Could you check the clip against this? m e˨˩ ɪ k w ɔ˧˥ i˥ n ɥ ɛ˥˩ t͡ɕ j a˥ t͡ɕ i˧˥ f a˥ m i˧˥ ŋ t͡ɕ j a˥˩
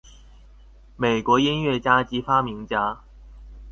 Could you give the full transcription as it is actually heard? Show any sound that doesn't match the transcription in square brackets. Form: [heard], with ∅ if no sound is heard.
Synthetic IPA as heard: m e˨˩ ɪ k w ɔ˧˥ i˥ n ɥ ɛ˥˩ t͡ɕ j a˥ t͡ɕ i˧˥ f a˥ m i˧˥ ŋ t͡ɕ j [a˥]